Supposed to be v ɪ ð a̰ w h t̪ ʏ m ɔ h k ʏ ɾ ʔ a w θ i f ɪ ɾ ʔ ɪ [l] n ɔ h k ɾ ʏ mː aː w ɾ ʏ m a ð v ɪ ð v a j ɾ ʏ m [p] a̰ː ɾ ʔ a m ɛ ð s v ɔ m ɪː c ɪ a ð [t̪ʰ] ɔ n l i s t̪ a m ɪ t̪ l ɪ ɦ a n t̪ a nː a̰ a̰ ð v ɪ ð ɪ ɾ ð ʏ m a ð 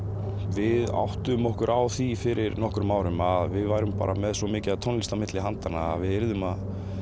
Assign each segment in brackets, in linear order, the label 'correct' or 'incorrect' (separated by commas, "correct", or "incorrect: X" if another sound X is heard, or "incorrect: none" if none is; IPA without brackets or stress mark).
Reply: incorrect: ɾ, correct, correct